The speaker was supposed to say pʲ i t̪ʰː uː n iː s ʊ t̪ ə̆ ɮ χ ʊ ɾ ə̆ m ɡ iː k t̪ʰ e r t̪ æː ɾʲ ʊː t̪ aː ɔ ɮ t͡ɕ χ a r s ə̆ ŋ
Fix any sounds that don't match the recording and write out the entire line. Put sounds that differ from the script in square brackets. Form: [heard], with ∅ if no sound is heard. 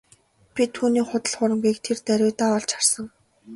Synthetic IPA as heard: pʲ i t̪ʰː uː n iː [χ] ʊ t̪ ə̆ ɮ χ ʊ ɾ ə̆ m ɡ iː k t̪ʰ e r t̪ [æ] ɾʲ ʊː t̪ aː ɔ ɮ t͡ɕ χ a r s ə̆ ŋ

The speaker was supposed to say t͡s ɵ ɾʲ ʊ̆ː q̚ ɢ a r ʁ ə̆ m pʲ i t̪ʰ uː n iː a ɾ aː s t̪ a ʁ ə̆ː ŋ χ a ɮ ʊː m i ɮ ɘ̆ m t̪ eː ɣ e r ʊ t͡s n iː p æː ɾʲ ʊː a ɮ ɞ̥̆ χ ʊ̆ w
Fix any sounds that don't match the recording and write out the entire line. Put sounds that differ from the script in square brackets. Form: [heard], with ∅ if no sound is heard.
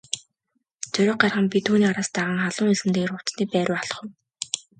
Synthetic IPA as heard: t͡s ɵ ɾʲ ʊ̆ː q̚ ɢ a r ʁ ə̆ m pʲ i t̪ʰ uː n iː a ɾ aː s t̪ a ʁ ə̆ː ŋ χ a ɮ ʊː [ŋ] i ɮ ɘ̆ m t̪ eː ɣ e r ʊ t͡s n iː p æː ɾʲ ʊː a ɮ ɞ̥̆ χ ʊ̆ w

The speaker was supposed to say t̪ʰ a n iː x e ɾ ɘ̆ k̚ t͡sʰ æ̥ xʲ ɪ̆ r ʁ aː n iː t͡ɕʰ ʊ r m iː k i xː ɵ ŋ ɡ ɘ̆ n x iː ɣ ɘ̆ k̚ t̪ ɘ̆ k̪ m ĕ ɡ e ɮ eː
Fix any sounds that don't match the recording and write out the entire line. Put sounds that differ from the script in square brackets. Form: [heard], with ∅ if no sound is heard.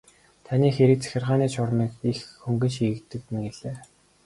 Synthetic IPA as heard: t̪ʰ a n iː x e ɾ ɘ̆ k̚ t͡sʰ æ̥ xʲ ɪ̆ r ʁ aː n iː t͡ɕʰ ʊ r m iː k i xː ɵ ŋ ɡ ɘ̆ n [ʃ] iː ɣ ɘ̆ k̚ t̪ ɘ̆ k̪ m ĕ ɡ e ɮ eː

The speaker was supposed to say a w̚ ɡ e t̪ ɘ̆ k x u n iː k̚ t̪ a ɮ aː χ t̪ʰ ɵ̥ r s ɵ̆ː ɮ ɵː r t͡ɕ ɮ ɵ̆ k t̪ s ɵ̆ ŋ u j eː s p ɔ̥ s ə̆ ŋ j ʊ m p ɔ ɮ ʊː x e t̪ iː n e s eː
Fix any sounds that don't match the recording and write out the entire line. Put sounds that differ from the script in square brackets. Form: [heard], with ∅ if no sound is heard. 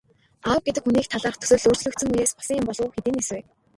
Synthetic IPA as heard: a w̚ ɡ e t̪ ɘ̆ k x u n iː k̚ [t̪ʰ] a ɮ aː χ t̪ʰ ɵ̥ [∅] s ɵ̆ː ɮ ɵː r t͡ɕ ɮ ɵ̆ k t̪ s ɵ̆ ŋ u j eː s p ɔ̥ s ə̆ ŋ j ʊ m p ɔ ɮ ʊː x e t̪ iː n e s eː

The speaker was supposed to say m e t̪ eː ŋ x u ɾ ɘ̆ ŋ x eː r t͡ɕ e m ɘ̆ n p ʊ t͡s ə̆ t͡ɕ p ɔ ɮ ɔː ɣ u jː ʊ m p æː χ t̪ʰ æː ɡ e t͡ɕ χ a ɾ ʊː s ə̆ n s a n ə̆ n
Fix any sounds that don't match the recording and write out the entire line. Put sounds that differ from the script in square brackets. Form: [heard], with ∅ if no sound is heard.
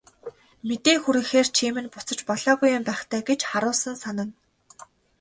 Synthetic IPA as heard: m e t̪ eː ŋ x u ɾ ɘ̆ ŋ x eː r [t͡ɕʰ] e m ɘ̆ n p ʊ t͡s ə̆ t͡ɕ p ɔ ɮ ɔː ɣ u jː ʊ m p æː χ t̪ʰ æː ɡ e t͡ɕ χ a ɾ ʊː s ə̆ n s a n ə̆ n

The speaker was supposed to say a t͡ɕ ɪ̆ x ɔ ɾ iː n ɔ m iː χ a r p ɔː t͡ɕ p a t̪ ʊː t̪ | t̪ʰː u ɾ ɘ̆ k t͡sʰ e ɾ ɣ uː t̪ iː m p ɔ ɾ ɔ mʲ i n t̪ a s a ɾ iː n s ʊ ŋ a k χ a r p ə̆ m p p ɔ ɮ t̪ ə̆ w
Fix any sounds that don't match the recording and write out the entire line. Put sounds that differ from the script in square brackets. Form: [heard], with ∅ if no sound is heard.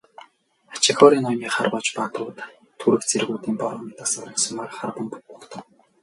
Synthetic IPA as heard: a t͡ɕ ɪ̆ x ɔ ɾ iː n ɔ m iː χ a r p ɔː t͡ɕ p a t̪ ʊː t̪ | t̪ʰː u ɾ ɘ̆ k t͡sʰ e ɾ ɣ uː t̪ iː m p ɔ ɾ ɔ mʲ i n t̪ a s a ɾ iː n s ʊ [m] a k χ a r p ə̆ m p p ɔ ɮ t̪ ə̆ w

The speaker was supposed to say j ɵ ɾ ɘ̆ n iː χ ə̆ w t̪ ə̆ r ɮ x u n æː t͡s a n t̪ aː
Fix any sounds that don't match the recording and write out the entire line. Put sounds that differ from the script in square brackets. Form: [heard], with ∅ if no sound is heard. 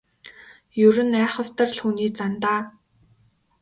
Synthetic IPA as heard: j ɵ ɾ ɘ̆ n [æː] χ ə̆ w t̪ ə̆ r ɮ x [uː] n [iː] t͡s a n t̪ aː

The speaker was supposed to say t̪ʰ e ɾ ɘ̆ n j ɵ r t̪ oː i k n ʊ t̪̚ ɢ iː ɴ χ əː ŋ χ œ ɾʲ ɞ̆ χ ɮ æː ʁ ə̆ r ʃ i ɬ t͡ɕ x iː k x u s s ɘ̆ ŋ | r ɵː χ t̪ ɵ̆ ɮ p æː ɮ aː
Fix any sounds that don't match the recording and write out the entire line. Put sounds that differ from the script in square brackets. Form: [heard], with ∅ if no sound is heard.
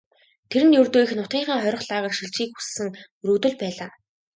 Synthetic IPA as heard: t̪ʰ e ɾ ɘ̆ n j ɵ r t̪ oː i [x] n ʊ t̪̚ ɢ iː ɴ χ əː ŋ χ œ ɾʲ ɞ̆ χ ɮ [aː] ʁ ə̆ r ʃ i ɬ t͡ɕ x iː k x u s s ɘ̆ ŋ | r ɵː [∅] t̪ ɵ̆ ɮ p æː ɮ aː

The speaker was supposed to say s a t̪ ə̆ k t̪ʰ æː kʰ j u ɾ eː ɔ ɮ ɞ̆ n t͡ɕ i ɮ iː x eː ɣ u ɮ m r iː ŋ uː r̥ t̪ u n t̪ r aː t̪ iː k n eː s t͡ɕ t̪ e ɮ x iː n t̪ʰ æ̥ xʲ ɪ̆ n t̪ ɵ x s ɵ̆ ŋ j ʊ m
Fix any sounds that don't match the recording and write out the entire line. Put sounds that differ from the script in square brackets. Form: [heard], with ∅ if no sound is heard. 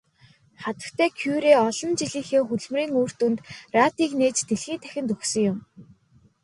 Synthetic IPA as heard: [χ] a t̪ ə̆ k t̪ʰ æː kʰ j u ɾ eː ɔ ɮ ɞ̆ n t͡ɕ i ɮ iː x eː [x] u ɮ m r iː ŋ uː r̥ t̪ u n t̪ r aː t̪ iː k n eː [∅] t͡ɕ t̪ e ɮ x iː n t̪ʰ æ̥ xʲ ɪ̆ n t̪ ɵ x s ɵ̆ ŋ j ʊ m

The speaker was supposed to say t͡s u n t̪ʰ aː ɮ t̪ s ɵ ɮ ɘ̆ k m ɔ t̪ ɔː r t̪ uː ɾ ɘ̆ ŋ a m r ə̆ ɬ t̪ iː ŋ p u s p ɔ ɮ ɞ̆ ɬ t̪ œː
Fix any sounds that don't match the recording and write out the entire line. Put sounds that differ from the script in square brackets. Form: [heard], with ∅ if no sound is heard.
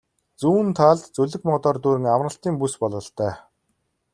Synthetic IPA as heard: t͡s [uː] n t̪ʰ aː ɮ t̪ [t͡s] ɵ ɮ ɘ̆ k m ɔ t̪ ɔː r t̪ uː ɾ ɘ̆ ŋ a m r ə̆ ɬ t̪ iː ŋ p u s p ɔ ɮ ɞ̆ ɬ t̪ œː

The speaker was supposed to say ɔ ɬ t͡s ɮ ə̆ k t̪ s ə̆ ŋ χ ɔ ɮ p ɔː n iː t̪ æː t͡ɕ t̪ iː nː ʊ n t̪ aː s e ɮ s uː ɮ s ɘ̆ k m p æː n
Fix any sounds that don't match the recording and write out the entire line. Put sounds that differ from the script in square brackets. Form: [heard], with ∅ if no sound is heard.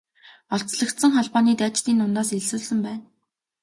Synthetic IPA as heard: ɔ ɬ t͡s ɮ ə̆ k t̪ s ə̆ ŋ χ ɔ ɮ p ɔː n iː t̪ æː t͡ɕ t̪ iː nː ʊ n t̪ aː s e ɮ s uː ɮ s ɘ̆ [∅] m p æː n

